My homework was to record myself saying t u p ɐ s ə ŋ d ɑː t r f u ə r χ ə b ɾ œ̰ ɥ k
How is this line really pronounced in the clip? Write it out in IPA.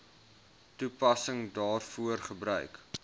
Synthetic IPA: t u p ɐ s ə ŋ d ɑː r f u ə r χ ə b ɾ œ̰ ɥ k